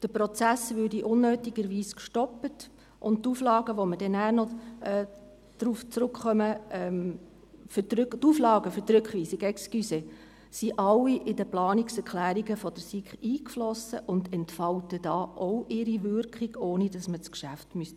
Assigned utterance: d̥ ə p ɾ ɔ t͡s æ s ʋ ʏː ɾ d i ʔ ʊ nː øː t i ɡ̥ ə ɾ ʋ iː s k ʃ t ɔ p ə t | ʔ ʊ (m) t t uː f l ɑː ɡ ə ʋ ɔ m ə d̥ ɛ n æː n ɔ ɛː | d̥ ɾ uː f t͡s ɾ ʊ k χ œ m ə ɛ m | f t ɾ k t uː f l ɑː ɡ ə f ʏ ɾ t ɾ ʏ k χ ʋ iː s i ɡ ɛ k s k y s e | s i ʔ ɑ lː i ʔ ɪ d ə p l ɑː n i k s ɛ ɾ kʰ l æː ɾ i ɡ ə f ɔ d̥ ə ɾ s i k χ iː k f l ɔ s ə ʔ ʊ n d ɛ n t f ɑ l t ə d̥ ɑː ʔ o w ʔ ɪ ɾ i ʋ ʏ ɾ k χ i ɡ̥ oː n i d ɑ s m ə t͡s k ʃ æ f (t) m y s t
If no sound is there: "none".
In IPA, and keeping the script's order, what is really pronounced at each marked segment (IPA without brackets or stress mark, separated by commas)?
n, t